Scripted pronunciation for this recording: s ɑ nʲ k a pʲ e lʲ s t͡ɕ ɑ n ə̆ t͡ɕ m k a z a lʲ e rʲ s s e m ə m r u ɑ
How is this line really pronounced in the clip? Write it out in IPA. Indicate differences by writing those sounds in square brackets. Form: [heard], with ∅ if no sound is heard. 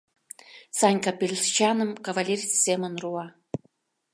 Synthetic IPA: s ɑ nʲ k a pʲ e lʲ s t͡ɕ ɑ n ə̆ [∅] m k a [v] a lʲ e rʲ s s e m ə [n] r u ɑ